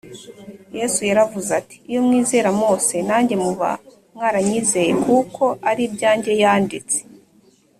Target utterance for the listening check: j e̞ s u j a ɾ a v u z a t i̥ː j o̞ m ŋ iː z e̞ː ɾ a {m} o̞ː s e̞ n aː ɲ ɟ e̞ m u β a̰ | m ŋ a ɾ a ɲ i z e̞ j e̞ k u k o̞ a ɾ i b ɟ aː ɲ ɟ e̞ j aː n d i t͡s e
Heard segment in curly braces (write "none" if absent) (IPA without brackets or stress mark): m